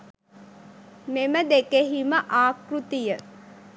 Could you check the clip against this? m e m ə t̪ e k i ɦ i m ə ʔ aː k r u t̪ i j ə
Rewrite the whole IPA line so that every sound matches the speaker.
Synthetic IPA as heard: m e m ə d̪ e k e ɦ i m ə ʔ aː k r u t̪ i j ə